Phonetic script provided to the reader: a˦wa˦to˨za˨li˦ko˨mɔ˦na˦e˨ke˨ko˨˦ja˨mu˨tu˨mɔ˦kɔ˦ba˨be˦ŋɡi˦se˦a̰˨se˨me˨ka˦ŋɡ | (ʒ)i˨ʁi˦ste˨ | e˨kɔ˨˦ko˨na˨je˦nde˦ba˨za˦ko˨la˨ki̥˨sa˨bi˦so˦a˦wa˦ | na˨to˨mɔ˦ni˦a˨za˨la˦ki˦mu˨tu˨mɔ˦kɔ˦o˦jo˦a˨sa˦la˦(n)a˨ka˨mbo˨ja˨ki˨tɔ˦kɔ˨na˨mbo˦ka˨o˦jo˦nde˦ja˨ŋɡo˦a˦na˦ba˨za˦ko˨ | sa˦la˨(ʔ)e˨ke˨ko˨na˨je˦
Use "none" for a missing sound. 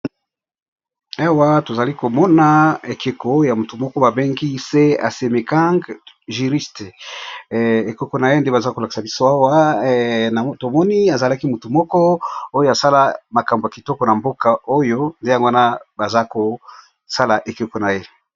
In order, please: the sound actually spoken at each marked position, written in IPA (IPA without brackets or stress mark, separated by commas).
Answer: ʒ, m, ʔ